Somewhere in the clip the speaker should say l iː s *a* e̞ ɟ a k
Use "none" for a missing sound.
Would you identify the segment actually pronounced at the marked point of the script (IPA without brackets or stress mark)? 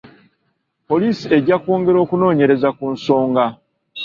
i